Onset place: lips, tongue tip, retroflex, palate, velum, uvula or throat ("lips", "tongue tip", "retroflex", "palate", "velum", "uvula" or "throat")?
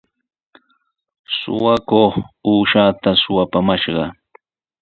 tongue tip